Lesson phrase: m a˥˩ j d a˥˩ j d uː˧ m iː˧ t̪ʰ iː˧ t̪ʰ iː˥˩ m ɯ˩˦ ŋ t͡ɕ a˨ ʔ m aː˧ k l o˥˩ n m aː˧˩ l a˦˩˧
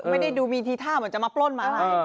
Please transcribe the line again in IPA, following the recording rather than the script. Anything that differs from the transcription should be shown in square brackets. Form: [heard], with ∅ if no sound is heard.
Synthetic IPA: m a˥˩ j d a˥˩ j d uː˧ m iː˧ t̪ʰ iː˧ t̪ʰ [aː˥˩] m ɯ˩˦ [n] t͡ɕ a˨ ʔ m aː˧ [p] l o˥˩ n m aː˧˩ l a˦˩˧